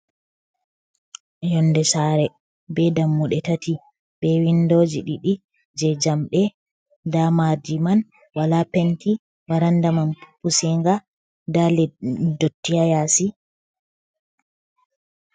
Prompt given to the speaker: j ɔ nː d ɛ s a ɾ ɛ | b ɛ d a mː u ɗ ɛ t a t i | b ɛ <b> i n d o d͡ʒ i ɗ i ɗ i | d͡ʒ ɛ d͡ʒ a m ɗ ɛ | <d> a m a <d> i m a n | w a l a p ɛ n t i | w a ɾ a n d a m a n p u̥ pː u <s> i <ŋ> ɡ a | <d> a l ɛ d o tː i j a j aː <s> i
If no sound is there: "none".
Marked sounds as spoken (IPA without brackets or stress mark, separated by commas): w, d, d, s, ŋ, d, s